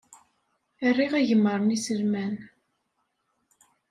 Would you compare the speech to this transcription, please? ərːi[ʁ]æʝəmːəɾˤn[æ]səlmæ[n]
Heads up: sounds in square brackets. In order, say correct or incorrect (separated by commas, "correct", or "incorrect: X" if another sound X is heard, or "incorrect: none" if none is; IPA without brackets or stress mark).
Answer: correct, incorrect: i, correct